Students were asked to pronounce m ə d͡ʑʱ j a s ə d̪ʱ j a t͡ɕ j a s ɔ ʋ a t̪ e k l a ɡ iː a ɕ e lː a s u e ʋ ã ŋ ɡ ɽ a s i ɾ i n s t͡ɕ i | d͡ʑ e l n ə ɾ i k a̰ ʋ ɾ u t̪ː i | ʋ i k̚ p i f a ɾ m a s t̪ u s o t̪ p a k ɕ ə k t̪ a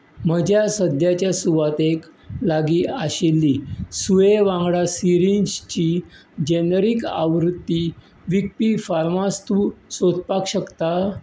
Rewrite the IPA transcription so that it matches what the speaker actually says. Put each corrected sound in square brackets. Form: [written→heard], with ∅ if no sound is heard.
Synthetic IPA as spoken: m ə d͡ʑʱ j a s ə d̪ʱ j a t͡ɕ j a s [ɔ→u] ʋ a t̪ e k l a ɡ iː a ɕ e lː [a→i] s u e ʋ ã ŋ ɡ ɽ a s i ɾ i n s t͡ɕ i | d͡ʑ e [l→∅] n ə ɾ i k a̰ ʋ ɾ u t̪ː i | ʋ i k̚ p i f a ɾ m a s t̪ u s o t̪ p a k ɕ ə k t̪ a